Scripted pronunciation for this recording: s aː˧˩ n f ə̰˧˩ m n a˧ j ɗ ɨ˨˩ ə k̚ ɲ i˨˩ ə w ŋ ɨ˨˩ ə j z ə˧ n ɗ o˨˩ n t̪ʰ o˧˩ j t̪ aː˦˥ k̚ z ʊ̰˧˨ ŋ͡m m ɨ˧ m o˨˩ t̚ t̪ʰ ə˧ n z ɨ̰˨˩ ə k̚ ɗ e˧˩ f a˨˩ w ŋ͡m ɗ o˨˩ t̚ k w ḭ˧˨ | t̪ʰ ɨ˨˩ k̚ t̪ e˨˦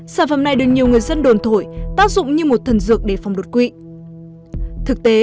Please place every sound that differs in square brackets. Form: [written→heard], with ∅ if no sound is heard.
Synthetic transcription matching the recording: s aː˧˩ n f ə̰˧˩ m n [a˧→a˨˩] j ɗ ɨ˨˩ ə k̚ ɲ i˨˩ ə w ŋ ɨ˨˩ ə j z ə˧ n ɗ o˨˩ n t̪ʰ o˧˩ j t̪ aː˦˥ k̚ z ʊ̰˧˨ ŋ͡m [m→ɲ] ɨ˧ m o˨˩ t̚ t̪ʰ [ə˧→ə˨˩] n z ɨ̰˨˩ ə k̚ ɗ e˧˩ f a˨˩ w ŋ͡m ɗ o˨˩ t̚ k w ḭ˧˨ | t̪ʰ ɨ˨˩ k̚ t̪ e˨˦